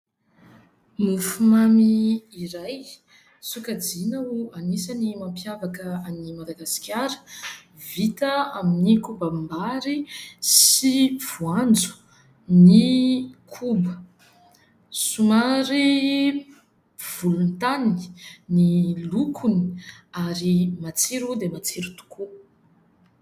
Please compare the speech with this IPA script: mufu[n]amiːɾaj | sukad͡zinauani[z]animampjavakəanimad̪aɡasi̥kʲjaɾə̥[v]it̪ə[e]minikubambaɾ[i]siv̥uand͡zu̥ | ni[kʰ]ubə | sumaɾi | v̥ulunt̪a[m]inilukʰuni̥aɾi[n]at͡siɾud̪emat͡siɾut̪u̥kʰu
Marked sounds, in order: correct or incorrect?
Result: incorrect, incorrect, correct, incorrect, correct, correct, incorrect, incorrect

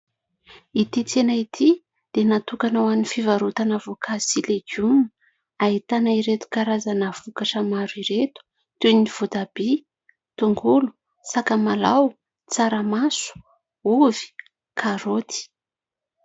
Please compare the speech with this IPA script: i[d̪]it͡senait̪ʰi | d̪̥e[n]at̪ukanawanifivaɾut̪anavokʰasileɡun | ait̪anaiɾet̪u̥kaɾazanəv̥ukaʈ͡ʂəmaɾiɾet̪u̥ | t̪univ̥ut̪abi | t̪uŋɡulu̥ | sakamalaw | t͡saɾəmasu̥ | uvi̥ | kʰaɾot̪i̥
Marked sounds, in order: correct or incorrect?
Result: incorrect, correct

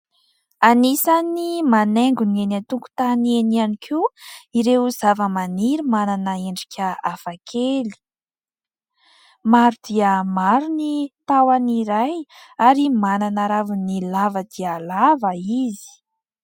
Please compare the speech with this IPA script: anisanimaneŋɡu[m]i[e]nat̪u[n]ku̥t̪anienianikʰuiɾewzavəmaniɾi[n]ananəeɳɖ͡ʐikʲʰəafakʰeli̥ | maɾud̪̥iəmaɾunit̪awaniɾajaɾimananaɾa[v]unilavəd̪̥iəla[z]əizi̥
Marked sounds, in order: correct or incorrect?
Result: incorrect, correct, incorrect, incorrect, correct, incorrect

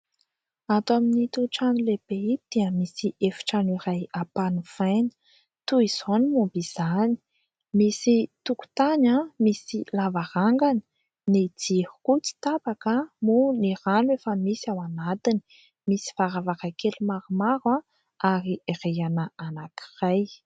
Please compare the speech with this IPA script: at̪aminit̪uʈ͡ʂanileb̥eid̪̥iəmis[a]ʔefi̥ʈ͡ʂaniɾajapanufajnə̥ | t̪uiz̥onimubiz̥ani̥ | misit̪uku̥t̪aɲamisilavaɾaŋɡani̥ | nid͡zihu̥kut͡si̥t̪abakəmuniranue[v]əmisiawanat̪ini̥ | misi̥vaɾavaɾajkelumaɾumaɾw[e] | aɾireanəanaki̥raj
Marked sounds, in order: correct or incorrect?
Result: incorrect, incorrect, incorrect

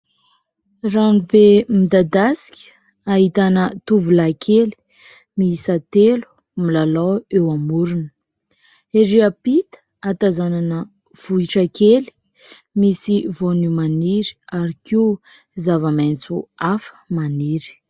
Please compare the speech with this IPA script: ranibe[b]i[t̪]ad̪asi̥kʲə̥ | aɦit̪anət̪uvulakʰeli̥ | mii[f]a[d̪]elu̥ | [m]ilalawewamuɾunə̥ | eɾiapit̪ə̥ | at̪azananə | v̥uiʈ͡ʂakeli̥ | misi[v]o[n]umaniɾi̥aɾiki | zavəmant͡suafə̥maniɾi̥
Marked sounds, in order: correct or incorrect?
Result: incorrect, incorrect, incorrect, incorrect, correct, correct, correct

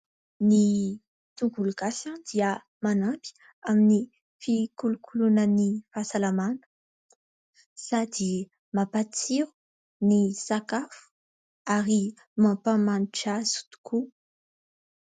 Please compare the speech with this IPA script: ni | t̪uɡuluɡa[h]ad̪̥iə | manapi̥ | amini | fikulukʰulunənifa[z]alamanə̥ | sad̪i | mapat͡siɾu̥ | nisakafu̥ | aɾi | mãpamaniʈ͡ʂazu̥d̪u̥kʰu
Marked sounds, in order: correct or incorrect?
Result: incorrect, incorrect

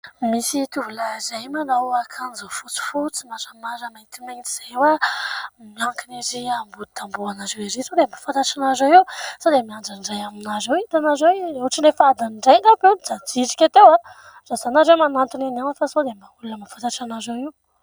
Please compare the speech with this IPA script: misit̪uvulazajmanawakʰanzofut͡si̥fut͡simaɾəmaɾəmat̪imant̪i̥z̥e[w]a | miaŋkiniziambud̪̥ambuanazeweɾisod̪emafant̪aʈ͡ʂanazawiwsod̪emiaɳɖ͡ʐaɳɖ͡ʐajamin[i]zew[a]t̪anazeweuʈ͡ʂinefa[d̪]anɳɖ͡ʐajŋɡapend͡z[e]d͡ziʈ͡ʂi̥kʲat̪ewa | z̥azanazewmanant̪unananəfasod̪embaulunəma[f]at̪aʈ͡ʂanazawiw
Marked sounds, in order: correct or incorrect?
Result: correct, incorrect, incorrect, correct, incorrect, correct

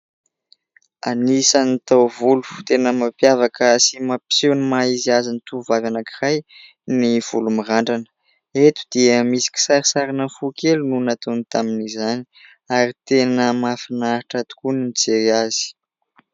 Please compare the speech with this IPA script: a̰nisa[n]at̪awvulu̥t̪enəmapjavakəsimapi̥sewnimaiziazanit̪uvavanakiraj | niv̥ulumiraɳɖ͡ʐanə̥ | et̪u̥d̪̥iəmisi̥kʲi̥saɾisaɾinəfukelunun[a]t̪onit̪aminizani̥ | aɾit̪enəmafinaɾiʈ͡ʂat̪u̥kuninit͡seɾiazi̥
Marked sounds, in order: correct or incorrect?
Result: correct, correct

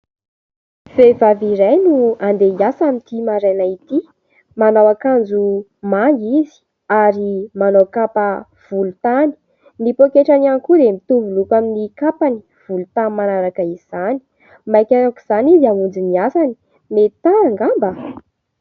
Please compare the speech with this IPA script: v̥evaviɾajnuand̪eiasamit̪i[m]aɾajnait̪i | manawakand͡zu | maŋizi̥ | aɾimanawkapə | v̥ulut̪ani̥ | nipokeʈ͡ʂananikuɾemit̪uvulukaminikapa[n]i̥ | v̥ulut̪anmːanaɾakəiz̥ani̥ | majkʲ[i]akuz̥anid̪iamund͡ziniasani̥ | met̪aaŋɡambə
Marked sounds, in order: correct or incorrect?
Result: correct, correct, incorrect

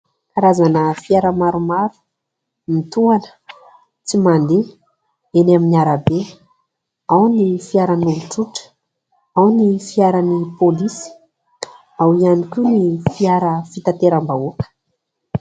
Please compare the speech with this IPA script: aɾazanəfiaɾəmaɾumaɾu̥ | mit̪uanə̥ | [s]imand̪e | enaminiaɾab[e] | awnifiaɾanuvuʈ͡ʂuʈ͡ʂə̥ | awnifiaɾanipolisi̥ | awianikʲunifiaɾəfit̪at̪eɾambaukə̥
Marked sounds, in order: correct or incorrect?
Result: incorrect, correct

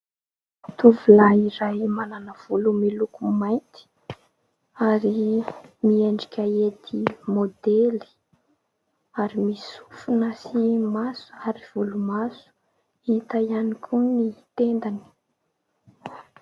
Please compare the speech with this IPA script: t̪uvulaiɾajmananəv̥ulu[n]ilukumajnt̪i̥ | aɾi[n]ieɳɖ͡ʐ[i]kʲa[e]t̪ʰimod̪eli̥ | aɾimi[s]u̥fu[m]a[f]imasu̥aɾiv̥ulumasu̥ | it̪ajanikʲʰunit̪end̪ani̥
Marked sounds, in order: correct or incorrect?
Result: incorrect, incorrect, correct, correct, correct, incorrect, incorrect

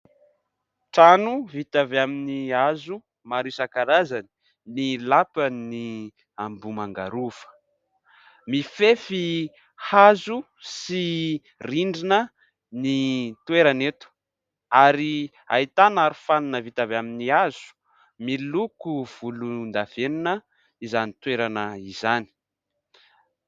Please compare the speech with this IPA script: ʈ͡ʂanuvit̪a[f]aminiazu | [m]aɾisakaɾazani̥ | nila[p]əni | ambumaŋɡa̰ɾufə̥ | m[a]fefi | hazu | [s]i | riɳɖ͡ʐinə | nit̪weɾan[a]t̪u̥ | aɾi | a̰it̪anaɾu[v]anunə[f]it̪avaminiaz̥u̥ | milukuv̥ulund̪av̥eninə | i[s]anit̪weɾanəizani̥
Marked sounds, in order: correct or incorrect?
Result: incorrect, correct, correct, incorrect, correct, incorrect, incorrect, incorrect, incorrect

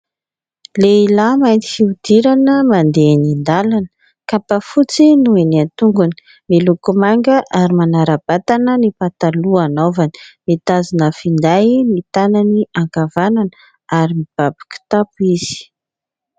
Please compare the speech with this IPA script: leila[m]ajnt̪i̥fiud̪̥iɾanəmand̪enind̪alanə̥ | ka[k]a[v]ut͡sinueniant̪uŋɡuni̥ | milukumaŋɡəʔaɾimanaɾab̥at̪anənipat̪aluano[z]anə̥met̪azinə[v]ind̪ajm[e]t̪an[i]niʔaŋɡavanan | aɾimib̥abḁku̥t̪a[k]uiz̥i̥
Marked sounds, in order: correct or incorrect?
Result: correct, incorrect, incorrect, incorrect, incorrect, incorrect, incorrect, incorrect

